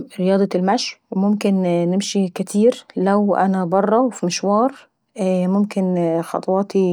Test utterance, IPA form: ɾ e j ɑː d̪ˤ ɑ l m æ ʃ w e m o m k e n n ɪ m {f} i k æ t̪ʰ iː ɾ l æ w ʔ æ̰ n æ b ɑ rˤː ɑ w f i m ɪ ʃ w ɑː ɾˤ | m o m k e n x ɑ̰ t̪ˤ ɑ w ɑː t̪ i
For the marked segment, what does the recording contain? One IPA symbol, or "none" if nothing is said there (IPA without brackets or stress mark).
ʃ